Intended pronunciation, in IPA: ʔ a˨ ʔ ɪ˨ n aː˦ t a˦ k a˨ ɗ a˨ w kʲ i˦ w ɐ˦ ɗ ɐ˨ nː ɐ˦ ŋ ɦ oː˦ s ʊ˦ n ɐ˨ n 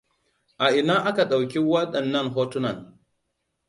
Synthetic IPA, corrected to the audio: ʔ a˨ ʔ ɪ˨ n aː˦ ʔ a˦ k a˨ ɗ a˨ w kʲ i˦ w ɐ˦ ɗ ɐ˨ nː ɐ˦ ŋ ɦ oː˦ t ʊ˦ n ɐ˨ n